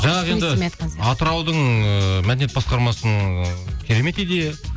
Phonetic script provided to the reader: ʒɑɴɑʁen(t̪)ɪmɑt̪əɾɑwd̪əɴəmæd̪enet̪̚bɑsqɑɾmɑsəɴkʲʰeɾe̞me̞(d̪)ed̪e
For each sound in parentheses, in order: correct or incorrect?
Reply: incorrect: d̪, incorrect: t̪

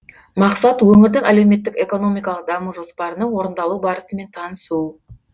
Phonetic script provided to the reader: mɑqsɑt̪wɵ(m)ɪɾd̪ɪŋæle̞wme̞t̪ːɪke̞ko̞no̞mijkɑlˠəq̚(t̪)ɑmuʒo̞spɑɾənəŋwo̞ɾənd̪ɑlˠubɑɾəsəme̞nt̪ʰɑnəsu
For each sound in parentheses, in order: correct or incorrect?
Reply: incorrect: ŋ, incorrect: d̪

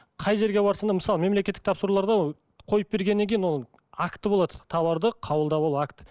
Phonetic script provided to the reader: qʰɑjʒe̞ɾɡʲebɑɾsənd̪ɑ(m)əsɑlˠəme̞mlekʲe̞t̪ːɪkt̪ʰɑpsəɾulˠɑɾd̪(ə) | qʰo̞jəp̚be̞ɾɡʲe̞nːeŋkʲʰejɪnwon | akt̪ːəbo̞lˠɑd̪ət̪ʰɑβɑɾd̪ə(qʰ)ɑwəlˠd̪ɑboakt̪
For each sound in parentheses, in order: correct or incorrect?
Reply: correct, incorrect: ɑ, correct

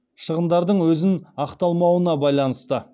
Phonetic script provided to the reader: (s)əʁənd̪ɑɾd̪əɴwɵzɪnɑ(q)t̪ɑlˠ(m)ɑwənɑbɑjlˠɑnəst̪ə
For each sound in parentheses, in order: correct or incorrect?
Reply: incorrect: ʃ, correct, correct

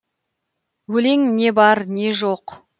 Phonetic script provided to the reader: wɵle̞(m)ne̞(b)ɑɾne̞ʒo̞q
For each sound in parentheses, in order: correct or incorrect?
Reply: incorrect: ŋ, correct

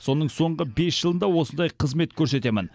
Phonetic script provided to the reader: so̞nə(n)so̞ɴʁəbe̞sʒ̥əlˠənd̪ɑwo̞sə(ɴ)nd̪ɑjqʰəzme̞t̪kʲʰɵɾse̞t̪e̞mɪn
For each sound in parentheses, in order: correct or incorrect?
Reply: incorrect: ɴ, incorrect: none

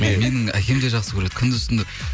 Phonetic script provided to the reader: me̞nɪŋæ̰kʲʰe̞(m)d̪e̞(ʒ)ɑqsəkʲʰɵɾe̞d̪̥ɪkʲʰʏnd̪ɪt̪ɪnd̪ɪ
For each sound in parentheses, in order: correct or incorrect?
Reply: correct, correct

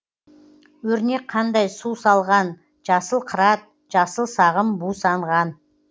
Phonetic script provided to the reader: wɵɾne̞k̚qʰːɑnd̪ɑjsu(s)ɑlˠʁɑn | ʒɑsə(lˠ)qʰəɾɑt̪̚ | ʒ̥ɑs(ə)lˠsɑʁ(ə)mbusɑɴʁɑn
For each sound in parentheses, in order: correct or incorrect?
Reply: correct, correct, correct, correct

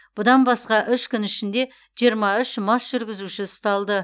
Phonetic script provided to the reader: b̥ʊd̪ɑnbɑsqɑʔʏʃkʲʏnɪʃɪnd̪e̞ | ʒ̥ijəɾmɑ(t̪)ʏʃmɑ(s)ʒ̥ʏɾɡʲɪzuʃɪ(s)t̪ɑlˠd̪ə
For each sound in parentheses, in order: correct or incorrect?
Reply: incorrect: none, correct, correct

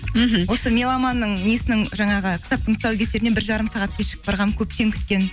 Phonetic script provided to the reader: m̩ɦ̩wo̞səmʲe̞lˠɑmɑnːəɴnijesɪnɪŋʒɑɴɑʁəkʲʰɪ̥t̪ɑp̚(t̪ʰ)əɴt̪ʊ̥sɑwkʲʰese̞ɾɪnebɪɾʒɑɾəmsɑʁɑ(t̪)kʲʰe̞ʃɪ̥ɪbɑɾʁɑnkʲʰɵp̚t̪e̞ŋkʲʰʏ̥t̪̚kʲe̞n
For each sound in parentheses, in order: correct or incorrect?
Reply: incorrect: t̪, correct

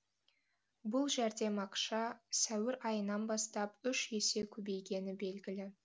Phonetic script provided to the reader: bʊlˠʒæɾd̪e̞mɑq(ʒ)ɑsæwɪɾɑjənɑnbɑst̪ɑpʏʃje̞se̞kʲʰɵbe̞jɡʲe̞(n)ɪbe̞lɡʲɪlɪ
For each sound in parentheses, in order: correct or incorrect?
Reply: incorrect: ʃ, correct

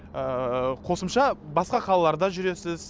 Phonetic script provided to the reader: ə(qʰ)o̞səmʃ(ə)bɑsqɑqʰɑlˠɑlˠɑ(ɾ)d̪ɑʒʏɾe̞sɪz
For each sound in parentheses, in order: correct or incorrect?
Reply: correct, incorrect: ɑ, correct

